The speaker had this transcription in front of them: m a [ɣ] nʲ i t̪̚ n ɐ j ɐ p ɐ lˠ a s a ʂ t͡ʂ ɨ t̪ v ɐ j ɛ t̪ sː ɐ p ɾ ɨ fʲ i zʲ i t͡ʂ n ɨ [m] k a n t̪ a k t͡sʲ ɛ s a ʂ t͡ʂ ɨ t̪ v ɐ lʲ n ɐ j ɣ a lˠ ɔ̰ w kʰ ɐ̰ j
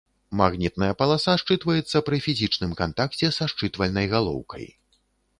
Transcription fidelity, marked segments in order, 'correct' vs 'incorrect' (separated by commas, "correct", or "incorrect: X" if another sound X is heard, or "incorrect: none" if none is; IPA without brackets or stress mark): correct, correct